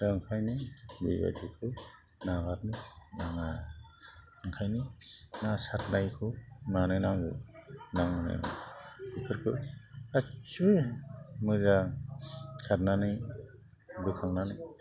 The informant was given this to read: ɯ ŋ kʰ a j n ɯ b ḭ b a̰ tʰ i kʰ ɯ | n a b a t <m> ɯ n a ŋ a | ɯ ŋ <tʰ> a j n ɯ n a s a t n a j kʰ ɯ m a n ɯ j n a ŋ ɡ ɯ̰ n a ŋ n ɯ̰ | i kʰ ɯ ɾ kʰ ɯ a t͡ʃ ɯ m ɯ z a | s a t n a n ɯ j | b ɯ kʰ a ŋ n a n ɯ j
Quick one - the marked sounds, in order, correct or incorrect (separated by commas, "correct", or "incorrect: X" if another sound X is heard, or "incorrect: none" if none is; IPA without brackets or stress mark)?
incorrect: n, incorrect: kʰ